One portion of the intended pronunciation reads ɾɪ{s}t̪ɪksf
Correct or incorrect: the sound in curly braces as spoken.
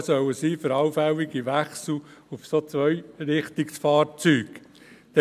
incorrect: χ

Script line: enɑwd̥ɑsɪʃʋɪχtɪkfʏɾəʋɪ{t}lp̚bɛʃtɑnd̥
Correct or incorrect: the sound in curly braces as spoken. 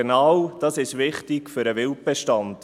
incorrect: none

